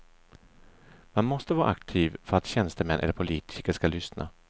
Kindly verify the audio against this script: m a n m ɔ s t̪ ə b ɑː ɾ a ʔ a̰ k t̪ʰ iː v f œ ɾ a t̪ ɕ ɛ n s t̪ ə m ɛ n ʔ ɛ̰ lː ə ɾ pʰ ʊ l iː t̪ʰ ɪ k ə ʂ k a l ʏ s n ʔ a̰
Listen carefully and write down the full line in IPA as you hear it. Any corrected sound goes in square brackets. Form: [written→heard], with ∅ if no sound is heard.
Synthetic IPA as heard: m a n m ɔ s t̪ ə [b→v] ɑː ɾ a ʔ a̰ k t̪ʰ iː v f œ ɾ a t̪ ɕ ɛ n s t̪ ə m ɛ n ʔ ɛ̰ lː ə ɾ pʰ ʊ l iː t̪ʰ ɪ k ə ʂ k a l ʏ s n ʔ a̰

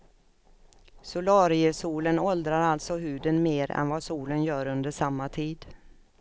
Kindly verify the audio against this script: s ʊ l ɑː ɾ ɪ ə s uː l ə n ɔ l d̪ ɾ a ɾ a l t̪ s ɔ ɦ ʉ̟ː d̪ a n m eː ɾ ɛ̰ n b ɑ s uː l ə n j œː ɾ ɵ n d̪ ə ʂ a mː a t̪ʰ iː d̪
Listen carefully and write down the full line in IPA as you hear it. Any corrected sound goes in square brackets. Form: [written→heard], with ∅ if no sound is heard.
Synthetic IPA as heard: s ʊ l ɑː ɾ ɪ ə s uː l ə n ɔ l d̪ ɾ a ɾ a l t̪ s ɔ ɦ ʉ̟ː d̪ [a→ə] n m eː ɾ ɛ̰ n [b→v] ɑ s uː l ə n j œː ɾ ɵ n d̪ ə ʂ a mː a t̪ʰ iː d̪

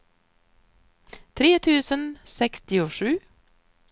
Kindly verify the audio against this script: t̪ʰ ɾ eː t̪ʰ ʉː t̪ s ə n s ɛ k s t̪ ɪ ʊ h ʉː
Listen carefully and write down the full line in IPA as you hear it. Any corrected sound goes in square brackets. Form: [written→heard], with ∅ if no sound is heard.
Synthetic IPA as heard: t̪ʰ ɾ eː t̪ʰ ʉː [t̪→∅] s ə n s ɛ k s t̪ ɪ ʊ [h→ʂ] ʉː

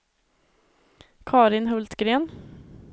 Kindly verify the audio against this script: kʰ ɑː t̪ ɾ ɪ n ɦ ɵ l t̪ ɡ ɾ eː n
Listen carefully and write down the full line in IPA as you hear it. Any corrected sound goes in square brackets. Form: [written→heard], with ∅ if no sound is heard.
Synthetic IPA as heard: kʰ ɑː [t̪→∅] ɾ ɪ n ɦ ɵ l t̪ ɡ ɾ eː n

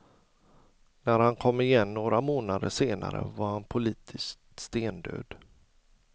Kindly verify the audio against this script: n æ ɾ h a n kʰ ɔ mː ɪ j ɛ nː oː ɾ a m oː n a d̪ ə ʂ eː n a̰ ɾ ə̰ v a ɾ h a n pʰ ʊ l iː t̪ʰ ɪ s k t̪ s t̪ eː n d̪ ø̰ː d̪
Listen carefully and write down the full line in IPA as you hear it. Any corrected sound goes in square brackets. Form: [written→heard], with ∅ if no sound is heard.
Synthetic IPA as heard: n æ ɾ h a n kʰ ɔ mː ɪ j ɛ nː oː ɾ a m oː n a d̪ ə ʂ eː n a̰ ɾ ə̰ v a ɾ h a n pʰ ʊ l iː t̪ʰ ɪ s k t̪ s t̪ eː n d̪ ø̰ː d̪

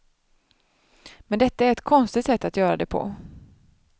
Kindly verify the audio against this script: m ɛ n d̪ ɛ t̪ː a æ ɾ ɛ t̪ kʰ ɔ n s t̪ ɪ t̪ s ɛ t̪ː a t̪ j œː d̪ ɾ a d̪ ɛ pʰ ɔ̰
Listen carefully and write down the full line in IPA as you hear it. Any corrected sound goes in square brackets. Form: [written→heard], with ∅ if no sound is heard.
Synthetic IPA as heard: m ɛ n d̪ ɛ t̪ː a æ ɾ ɛ t̪ kʰ ɔ n s t̪ ɪ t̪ s ɛ t̪ː a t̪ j œː [d̪→∅] ɾ a d̪ ɛ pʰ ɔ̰

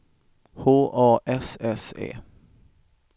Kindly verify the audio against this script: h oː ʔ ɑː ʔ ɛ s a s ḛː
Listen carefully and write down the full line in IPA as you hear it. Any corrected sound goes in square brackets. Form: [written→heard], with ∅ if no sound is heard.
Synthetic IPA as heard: h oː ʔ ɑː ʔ ɛ s [a→ɛ] s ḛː

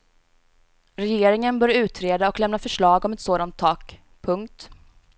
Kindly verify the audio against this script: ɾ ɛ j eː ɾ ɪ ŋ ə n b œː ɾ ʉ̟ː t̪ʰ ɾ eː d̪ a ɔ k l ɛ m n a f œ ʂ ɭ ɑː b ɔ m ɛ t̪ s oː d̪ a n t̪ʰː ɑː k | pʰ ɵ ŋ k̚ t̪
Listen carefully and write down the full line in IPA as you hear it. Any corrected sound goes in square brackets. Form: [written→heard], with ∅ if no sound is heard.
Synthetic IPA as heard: ɾ ɛ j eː ɾ ɪ ŋ ə n b œː ɾ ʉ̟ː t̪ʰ ɾ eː d̪ a ɔ k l ɛ m n a f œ ʂ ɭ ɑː [b→ɡ] ɔ m ɛ t̪ s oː d̪ a n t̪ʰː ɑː k | pʰ ɵ ŋ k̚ t̪

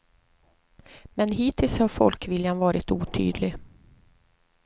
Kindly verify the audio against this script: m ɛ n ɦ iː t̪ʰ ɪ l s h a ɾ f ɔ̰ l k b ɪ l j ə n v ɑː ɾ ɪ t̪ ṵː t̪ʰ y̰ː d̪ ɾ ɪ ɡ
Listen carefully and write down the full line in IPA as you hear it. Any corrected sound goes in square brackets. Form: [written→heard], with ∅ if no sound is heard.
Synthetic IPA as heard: m ɛ n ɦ iː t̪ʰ ɪ l s h a ɾ f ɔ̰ l k [b→v] ɪ l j [ə→a] n v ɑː ɾ ɪ t̪ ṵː t̪ʰ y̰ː d̪ [ɾ→l] ɪ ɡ

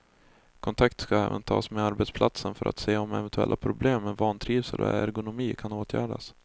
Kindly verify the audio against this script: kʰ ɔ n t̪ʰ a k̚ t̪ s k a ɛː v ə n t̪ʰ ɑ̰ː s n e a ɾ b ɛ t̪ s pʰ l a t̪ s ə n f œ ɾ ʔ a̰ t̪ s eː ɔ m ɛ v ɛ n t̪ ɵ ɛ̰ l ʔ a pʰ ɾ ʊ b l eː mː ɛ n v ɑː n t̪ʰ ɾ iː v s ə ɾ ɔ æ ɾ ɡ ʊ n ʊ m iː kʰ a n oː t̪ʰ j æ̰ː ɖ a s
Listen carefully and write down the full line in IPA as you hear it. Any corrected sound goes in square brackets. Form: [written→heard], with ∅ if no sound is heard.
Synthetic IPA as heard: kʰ ɔ n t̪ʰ a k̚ t̪ s k a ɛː v ə n t̪ʰ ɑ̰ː s [n→m] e a ɾ b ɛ t̪ s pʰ l a t̪ s ə n f œ ɾ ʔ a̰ t̪ s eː ɔ m ɛ v ɛ n t̪ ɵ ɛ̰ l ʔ a pʰ ɾ ʊ b l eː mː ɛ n v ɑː n t̪ʰ ɾ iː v s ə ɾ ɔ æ ɾ ɡ ʊ n ʊ m iː kʰ a n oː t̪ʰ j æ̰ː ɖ a s

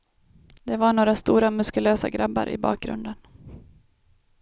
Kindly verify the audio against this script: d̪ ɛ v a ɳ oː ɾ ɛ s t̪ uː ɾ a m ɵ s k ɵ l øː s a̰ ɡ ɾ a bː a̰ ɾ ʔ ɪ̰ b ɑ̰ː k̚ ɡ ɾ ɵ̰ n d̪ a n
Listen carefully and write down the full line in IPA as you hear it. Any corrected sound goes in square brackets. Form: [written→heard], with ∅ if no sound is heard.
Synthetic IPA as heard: d̪ ɛ v a ɳ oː ɾ [ɛ→a] s t̪ uː ɾ a m ɵ s k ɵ l øː s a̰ ɡ ɾ a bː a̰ ɾ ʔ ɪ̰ b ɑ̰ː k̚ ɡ ɾ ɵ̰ n d̪ [a→ə] n

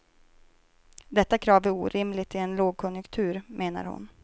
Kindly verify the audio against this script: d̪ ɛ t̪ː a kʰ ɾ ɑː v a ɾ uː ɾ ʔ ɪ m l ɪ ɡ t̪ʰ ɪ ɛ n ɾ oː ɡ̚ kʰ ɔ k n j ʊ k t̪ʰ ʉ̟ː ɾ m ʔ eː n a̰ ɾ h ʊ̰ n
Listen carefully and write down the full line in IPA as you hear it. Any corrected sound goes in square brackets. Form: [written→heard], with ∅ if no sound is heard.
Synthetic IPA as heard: d̪ ɛ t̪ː a kʰ ɾ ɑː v [a→æ] ɾ uː ɾ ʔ ɪ m l ɪ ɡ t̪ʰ ɪ ɛ n [ɾ→l] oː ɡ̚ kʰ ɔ [k→∅] n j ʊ k t̪ʰ ʉ̟ː ɾ m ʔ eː n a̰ ɾ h ʊ̰ n

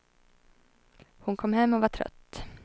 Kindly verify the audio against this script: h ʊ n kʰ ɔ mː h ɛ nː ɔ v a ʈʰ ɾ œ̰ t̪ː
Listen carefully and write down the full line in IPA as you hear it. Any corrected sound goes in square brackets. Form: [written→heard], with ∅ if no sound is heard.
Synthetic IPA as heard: h ʊ n kʰ ɔ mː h ɛ [nː→mː] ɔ v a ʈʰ ɾ œ̰ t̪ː

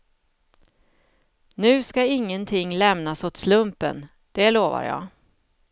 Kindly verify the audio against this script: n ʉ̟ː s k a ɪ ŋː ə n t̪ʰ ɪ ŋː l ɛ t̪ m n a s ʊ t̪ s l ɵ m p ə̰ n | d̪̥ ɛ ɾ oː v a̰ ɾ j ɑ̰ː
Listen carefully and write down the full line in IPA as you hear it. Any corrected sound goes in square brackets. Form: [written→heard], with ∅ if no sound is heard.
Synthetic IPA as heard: n ʉ̟ː s k a ɪ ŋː ə n t̪ʰ ɪ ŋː l ɛ [t̪→∅] m n a s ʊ t̪ s l ɵ m p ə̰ n | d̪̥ ɛ [ɾ→l] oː v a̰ ɾ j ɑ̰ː

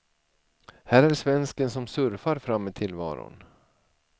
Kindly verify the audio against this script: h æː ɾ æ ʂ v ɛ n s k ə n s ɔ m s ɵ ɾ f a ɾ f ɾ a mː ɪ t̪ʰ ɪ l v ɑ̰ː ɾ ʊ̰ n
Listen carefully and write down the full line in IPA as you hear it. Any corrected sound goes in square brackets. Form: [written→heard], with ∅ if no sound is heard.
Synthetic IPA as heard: h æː ɾ æ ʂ v ɛ n s k ə n s ɔ m s ɵ ɾ f a ɾ f ɾ a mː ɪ t̪ʰ ɪ l v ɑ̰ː ɾ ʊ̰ n

